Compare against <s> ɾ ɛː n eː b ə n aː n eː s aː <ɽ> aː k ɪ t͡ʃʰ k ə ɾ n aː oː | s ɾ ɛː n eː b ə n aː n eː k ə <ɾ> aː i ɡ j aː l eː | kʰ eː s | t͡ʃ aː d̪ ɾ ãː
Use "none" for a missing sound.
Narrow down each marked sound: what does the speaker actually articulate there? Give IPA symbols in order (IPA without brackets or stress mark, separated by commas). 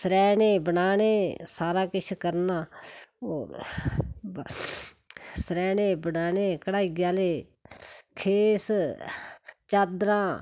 s, ɾ, ɽ